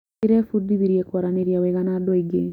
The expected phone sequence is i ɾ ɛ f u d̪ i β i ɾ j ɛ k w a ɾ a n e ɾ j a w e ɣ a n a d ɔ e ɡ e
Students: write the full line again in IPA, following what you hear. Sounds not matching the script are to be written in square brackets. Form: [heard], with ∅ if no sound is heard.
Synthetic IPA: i ɾ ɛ f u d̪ i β i ɾ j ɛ k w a ɾ a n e ɾ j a w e ɣ a n a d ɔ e ɡ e